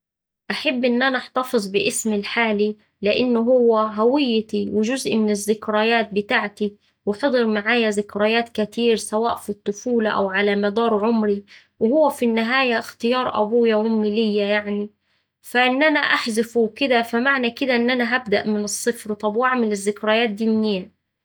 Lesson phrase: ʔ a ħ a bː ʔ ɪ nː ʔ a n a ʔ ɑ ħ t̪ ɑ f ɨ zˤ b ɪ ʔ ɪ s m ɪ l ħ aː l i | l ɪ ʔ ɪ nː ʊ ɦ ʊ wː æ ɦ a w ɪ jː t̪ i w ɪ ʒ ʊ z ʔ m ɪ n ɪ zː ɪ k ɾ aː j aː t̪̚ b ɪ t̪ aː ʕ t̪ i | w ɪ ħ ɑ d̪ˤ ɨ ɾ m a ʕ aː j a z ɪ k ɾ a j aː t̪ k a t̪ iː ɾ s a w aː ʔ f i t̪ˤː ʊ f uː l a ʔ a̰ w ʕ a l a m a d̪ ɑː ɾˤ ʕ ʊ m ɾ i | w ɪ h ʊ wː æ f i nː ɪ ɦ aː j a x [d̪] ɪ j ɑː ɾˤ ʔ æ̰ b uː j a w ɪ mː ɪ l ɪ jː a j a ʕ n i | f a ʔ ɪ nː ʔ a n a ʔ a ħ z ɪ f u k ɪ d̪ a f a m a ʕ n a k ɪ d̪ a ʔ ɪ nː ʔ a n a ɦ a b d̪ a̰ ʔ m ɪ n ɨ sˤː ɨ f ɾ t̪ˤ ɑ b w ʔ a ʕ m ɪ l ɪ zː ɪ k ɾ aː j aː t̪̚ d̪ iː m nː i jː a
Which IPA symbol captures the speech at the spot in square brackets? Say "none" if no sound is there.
t̪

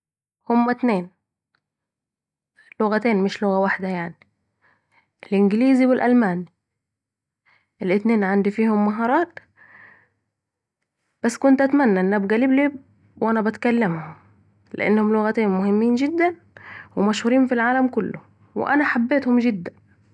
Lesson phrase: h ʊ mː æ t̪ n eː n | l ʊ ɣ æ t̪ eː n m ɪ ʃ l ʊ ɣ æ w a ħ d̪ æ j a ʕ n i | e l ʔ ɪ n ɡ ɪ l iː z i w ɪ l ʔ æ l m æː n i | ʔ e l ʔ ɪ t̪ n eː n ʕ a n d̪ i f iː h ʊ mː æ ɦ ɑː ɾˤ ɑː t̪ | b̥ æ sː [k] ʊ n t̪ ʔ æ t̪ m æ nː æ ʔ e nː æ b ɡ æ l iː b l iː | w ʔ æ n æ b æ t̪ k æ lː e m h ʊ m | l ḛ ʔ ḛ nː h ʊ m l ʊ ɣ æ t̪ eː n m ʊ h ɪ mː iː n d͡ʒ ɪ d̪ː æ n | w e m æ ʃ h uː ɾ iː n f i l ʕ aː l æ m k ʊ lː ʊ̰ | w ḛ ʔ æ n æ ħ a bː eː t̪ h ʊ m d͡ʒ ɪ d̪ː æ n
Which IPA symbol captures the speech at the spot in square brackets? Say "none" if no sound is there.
k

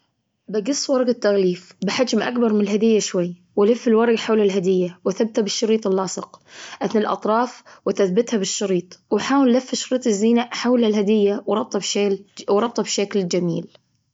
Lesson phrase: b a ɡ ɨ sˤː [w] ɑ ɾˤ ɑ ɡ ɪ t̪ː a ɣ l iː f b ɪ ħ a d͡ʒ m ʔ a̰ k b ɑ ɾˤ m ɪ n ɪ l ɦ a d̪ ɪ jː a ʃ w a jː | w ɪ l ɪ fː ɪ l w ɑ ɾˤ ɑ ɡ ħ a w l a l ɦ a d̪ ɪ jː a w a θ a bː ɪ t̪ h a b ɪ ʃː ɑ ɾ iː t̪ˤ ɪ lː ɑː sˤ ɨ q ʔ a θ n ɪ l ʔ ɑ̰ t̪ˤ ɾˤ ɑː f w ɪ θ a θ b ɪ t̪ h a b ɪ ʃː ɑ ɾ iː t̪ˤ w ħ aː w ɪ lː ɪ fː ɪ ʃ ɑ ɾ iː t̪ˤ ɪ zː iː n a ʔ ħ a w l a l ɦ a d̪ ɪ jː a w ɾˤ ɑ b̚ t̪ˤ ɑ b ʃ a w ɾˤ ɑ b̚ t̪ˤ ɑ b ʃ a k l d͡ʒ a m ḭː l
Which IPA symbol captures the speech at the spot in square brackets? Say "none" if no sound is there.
w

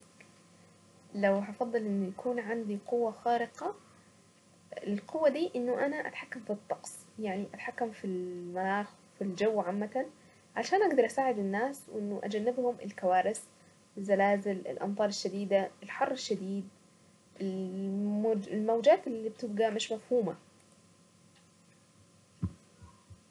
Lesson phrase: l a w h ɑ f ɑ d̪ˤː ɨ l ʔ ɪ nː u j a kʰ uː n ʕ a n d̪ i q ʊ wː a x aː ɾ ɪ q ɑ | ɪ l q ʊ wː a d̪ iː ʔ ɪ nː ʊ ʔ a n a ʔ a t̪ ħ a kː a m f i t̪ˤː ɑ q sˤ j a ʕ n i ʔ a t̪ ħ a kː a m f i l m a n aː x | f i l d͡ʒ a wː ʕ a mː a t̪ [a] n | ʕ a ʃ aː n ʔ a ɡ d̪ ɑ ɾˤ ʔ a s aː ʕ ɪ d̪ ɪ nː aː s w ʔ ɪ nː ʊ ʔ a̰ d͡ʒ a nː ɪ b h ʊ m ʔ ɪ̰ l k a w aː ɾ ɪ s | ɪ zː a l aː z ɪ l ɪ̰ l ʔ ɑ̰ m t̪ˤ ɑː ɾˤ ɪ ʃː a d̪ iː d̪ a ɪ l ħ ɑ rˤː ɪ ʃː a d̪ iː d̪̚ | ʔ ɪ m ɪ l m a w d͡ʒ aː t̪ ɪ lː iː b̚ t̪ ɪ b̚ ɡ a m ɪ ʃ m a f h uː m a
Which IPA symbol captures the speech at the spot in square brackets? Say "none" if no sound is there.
a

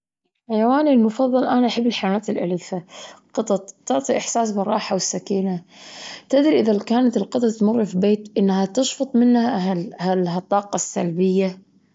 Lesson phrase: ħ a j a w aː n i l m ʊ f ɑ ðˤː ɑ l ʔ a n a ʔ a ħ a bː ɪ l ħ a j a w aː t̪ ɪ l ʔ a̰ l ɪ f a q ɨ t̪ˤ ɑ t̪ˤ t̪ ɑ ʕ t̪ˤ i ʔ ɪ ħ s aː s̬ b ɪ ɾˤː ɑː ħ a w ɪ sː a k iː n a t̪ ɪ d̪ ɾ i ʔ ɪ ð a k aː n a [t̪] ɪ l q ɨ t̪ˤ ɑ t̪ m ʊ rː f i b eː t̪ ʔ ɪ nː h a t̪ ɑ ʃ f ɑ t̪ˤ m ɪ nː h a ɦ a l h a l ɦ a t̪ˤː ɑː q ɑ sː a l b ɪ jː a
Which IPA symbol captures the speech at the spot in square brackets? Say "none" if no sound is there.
t̪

